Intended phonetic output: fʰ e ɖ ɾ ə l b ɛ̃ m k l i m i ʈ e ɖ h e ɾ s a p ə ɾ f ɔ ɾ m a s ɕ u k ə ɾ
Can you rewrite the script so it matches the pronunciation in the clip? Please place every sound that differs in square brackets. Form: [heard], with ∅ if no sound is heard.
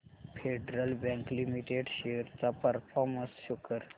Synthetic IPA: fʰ e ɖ ɾ ə l b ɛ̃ [ŋ] k l i m i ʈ e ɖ [ɕ] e ɾ [t͡s] a p ə ɾ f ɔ ɾ m [ə] s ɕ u k ə ɾ

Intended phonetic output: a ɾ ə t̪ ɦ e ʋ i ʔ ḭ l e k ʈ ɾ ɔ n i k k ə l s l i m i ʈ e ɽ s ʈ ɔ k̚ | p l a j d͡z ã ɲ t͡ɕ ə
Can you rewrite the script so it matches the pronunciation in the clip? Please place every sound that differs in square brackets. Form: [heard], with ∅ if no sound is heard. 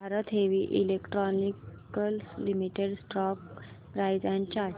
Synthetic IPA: a ɾ ə t̪ ɦ e ʋ i ʔ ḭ l e k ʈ ɾ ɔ n i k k ə l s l i m i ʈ e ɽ s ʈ ɔ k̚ | p [ɾ] a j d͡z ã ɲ t͡ɕ [a]

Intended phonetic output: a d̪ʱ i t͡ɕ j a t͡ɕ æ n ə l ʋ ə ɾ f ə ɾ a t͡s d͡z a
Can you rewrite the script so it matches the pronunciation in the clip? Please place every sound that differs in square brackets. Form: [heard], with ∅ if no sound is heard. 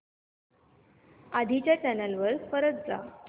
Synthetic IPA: a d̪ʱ i t͡ɕ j a t͡ɕ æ n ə l ʋ ə ɾ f ə ɾ [ə] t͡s d͡z a

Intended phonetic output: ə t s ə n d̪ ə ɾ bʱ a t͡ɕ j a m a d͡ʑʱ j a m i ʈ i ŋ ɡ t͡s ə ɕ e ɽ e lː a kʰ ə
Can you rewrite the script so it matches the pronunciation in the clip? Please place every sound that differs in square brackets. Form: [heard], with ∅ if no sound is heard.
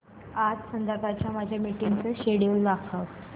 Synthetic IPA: [a] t s ə n d̪ ə ɾ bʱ a t͡ɕ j a m a d͡ʑʱ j a m i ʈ i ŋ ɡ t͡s ə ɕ e ɽ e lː a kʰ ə

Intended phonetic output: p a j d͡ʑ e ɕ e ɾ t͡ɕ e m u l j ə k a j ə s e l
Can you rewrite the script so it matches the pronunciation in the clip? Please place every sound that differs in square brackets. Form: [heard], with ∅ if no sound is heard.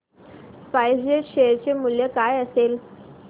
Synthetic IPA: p a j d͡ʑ e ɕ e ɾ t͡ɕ e m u l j ə k a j ə s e l

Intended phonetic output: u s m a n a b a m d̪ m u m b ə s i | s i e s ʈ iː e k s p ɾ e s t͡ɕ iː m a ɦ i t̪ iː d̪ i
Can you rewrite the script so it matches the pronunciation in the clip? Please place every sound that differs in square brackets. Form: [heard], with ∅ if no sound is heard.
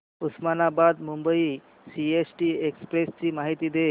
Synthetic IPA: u s m a n a b a [∅] d̪ m u m b ə [∅] i | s i e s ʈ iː e k s p ɾ e s t͡ɕ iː m a ɦ i t̪ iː d̪ [e]

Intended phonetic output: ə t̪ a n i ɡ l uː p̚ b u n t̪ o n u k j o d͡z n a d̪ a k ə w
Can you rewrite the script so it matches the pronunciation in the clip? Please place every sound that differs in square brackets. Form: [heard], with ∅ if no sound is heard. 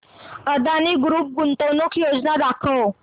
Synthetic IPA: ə [d̪] a n i ɡ [ɾ] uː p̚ [ɡ] u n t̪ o n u k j o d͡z n a d̪ a [kʰ] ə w

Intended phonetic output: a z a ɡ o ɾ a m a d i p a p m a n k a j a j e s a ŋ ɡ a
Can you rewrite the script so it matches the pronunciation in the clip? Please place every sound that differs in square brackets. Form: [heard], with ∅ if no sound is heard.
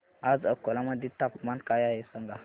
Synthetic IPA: a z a [k] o [l] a m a d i [t] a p m a n k a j a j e s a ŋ ɡ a

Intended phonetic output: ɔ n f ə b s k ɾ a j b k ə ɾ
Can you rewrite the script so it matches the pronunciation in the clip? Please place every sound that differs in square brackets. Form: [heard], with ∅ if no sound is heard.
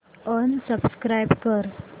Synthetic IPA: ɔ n [s] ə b s k ɾ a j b k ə ɾ

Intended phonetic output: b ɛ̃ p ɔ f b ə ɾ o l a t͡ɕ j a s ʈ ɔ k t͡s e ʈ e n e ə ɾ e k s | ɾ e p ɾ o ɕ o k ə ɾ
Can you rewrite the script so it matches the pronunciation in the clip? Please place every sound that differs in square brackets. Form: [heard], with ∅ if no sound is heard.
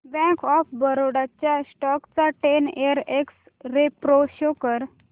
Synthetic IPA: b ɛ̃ [k] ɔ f b ə ɾ o [ɽ] a t͡ɕ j a s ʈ ɔ k t͡s [a] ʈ e n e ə ɾ e k s | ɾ e p ɾ o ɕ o k ə ɾ

